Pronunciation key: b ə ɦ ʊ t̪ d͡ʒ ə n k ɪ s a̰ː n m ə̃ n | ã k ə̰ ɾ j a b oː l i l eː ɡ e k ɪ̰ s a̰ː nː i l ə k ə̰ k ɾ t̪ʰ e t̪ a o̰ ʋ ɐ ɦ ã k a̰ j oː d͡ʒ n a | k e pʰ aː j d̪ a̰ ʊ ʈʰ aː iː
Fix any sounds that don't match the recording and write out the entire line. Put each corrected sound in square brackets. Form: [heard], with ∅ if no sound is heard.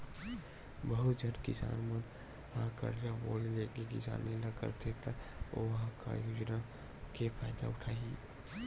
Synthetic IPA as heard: b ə ɦ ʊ t̪ d͡ʒ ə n k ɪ s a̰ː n m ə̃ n | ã k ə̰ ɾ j a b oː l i l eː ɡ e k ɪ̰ s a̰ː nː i l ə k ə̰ [∅] ɾ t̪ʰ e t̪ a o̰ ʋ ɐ ɦ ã k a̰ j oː d͡ʒ n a | k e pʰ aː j d̪ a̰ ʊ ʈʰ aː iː